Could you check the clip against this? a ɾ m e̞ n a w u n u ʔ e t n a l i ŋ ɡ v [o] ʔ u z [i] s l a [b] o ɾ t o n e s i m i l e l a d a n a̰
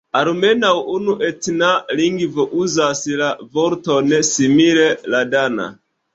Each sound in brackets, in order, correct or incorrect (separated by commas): correct, incorrect, incorrect